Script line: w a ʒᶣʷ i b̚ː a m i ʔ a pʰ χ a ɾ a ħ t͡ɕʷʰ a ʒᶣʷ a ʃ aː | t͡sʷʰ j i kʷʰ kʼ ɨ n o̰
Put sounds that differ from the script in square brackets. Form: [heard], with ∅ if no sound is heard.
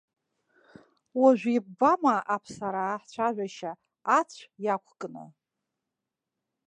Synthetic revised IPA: w a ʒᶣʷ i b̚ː a m [a] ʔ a pʰ [s] a ɾ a ħ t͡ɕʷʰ a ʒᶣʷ a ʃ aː | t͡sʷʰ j [a] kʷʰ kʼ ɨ n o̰